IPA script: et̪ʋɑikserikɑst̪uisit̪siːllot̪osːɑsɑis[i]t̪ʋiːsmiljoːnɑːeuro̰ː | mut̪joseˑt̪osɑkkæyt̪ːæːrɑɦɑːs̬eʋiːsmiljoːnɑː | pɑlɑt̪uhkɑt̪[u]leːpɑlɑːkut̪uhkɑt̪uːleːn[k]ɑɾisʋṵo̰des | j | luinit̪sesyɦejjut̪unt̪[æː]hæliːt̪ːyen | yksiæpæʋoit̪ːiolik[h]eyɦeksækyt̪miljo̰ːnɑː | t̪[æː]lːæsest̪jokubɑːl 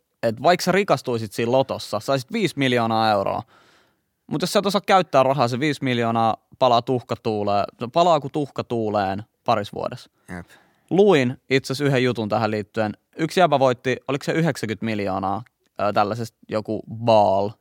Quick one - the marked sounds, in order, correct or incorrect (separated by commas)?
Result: correct, incorrect, incorrect, incorrect, incorrect, incorrect